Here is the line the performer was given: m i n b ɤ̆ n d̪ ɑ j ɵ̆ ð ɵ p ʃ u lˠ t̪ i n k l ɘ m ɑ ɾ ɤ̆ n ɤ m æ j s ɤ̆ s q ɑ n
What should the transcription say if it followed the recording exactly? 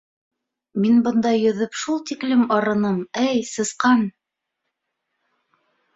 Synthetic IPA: m i n b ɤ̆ n d̪ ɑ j ɵ̆ ð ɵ p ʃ u lˠ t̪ i k l ɘ m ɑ ɾ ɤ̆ n ɤ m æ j s ɤ̆ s q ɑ n